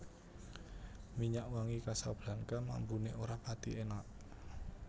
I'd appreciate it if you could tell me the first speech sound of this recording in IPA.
m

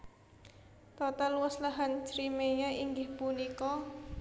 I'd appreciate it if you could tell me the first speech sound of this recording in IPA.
t̪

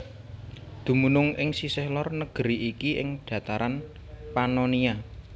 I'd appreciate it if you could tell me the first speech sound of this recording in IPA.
d̪̥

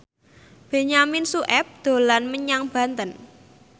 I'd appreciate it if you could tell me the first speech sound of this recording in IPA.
b̥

